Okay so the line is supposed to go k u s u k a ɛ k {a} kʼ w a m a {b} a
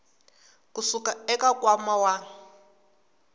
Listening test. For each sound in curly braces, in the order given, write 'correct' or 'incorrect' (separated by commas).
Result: correct, incorrect